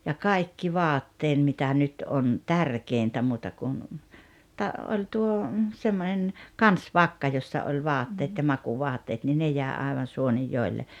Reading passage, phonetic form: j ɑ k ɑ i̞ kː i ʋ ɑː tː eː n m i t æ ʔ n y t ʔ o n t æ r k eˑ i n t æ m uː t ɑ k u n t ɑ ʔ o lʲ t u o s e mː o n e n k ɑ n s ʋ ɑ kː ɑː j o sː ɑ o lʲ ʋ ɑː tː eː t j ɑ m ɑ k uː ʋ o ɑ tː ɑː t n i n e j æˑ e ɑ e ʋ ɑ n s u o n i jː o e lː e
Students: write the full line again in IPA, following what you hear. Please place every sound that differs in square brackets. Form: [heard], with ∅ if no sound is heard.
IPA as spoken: j ɑ k ɑ i̞ kː i ʋ ɑː tː eː n m i t æ ʔ n y t ʔ o n t æ r k eˑ i n t æ m uː t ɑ k u n t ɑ ʔ o lʲ t u o s e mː o n e n k ɑ n s ʋ ɑ kː [ɑ] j o sː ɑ o lʲ ʋ ɑː tː eː t j ɑ m ɑ k uː ʋ o ɑ tː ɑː t n i n e j æˑ e ɑ e ʋ ɑ n s u o n i jː o e lː e